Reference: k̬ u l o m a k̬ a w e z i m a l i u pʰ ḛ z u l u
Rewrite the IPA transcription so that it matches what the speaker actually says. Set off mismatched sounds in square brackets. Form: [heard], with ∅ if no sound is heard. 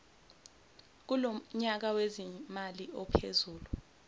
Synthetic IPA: k̬ u l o [ɲ] a k̬ a w e z i m a l i [ɔ] pʰ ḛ z [uː] l u